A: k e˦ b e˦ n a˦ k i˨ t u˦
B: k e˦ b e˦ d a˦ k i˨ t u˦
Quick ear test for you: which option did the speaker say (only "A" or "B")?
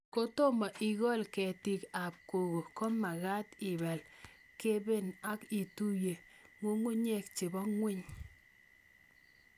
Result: A